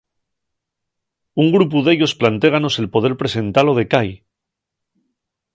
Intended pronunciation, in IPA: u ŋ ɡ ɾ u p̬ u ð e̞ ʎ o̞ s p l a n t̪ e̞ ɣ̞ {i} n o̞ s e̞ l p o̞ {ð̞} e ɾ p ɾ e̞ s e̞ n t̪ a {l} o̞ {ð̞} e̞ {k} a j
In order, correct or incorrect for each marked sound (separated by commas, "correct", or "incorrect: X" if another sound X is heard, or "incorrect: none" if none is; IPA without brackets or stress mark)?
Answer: incorrect: a, correct, correct, correct, correct